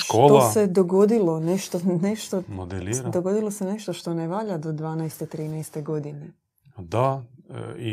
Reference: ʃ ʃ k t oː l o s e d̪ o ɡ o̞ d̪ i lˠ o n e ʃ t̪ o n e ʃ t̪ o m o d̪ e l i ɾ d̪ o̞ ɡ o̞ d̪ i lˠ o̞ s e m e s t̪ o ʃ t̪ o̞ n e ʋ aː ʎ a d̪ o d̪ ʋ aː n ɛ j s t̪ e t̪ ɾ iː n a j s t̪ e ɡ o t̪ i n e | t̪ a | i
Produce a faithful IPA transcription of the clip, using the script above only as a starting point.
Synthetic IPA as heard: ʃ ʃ k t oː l o s e d̪ o ɡ o̞ d̪ i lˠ o n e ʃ t̪ o n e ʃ t̪ o m o d̪ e l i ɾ d̪ o̞ ɡ o̞ d̪ i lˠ o̞ s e n e ʃ t̪ o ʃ t̪ o̞ n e ʋ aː ʎ a d̪ o d̪ ʋ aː n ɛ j s t̪ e t̪ ɾ iː n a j s t̪ e ɡ o d̪ i n e | d̪ a | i